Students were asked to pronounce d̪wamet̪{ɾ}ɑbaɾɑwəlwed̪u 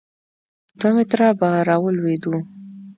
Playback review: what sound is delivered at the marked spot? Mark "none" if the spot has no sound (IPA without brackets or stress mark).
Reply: ɾ